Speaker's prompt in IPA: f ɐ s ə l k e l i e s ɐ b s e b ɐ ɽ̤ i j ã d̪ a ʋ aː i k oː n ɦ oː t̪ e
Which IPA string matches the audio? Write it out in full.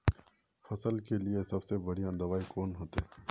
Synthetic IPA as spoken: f ɐ s ə l k e l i e s ɐ b s e b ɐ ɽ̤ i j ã d̪ ɐ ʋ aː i k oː n ɦ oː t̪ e